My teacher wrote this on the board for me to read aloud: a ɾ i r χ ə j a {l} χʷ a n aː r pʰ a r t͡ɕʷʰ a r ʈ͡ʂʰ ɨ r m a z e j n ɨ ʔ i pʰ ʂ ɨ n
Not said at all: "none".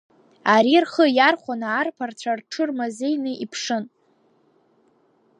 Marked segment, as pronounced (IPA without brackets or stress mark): r